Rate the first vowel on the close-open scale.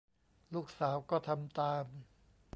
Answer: close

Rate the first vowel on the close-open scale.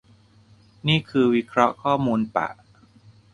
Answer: close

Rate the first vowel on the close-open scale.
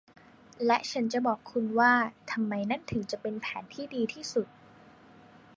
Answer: mid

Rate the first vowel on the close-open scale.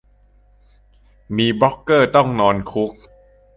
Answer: close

